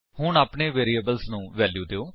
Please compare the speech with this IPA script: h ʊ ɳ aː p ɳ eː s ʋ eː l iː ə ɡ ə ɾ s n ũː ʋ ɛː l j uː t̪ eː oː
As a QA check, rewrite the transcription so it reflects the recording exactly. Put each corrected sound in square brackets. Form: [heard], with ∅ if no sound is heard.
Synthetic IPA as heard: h ʊ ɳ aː p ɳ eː [∅] ʋ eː [ɾ] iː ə [b] ə [l] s n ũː ʋ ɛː l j uː [d̪] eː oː